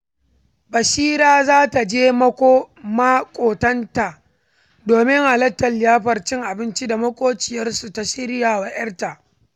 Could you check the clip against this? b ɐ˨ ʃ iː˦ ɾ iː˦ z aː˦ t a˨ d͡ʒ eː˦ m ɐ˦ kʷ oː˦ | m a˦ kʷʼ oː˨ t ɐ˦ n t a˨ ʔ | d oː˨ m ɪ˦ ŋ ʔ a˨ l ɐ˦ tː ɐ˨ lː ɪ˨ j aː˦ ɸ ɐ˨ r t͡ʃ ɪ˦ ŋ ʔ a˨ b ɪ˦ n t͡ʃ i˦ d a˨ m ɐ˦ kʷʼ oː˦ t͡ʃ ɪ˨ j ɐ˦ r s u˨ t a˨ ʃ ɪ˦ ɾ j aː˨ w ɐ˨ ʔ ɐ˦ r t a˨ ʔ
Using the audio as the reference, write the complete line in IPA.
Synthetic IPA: b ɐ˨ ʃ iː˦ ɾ aː˦ z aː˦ t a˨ d͡ʒ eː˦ m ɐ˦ kʷ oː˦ | m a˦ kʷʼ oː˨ t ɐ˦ n t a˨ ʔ | d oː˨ m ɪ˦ ŋ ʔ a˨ l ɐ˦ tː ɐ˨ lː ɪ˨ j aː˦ ɸ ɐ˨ r t͡ʃ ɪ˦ ŋ ʔ a˨ b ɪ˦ n t͡ʃ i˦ d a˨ m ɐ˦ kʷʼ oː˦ t͡ʃ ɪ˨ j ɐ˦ r s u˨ t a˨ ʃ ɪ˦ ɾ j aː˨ w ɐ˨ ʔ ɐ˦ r t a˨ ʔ